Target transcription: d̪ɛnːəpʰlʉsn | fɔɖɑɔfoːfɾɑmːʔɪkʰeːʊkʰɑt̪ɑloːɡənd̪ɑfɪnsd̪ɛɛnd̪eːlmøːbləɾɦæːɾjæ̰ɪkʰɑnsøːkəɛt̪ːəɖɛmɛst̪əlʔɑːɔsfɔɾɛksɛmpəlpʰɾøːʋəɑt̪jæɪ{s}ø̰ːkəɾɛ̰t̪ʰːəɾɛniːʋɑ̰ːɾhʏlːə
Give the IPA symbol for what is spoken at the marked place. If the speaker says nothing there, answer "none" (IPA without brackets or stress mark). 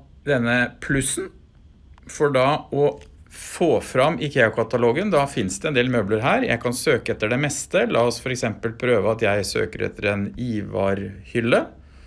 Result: s